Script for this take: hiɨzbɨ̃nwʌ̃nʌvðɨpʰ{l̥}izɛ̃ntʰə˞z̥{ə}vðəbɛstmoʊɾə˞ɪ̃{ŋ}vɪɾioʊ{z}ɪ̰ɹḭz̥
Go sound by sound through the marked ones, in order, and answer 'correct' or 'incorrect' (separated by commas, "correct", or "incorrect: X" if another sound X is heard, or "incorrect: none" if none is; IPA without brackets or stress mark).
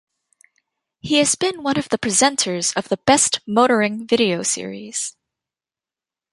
incorrect: ɹ̥, incorrect: ʌ, correct, incorrect: s